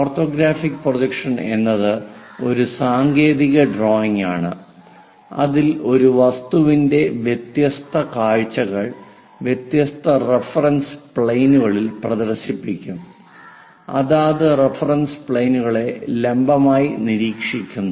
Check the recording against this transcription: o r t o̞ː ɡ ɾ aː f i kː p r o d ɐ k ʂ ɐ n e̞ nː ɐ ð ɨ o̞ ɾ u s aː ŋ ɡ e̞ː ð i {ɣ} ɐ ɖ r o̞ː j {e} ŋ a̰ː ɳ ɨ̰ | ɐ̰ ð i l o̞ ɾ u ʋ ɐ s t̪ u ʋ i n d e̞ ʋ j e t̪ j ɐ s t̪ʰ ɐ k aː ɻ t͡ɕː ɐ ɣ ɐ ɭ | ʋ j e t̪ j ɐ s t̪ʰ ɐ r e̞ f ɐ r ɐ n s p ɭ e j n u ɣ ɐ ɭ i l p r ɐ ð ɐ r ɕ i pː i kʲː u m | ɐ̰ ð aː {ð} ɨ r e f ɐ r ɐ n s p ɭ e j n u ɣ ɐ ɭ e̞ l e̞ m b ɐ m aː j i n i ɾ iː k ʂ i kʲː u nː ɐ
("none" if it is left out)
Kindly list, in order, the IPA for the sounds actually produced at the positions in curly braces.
ɣ, i, ð

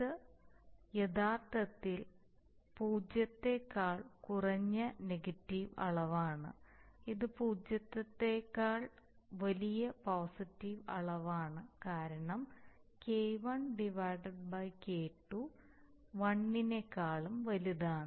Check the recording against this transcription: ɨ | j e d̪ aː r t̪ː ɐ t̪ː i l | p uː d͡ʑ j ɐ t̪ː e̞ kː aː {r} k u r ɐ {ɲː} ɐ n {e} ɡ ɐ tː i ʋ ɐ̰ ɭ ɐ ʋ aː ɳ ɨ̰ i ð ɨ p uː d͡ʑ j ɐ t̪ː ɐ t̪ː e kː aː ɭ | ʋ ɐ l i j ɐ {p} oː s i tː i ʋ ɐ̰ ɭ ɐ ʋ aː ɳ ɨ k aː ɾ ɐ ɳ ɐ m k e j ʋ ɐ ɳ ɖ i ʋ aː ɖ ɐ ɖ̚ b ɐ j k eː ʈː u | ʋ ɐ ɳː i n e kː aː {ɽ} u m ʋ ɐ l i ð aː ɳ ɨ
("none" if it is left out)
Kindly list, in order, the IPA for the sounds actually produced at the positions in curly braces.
ɭ, ɲː, e, p, ɭ

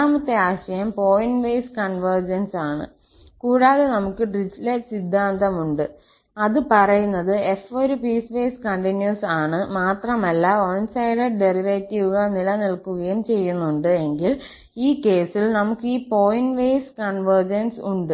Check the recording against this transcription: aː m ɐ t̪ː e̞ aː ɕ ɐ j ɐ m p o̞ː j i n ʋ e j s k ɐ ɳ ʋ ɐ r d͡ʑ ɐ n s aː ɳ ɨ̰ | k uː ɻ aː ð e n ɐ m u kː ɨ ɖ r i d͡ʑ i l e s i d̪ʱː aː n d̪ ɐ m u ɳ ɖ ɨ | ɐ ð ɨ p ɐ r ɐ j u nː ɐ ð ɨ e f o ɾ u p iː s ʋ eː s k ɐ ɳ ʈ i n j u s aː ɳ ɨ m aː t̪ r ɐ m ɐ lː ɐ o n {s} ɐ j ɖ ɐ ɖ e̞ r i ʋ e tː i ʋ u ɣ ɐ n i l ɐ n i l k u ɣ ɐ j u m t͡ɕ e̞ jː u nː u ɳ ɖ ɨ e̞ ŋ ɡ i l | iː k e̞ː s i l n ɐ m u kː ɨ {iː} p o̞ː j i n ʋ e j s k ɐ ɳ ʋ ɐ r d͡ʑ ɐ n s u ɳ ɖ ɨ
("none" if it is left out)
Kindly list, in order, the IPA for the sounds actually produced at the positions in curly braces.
s, iː

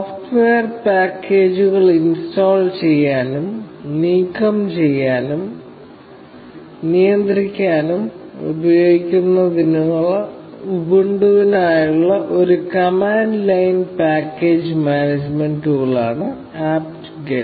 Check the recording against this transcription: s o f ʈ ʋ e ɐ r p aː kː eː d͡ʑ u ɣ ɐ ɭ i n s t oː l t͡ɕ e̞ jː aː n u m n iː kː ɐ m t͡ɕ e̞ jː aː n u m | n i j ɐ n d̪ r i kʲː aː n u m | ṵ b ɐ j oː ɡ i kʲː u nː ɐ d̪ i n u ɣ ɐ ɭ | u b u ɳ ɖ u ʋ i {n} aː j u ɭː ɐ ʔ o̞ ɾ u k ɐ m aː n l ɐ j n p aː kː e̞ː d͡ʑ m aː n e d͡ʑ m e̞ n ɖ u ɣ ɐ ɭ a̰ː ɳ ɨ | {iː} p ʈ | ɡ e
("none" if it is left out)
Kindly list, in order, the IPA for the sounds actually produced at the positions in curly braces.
n, aː

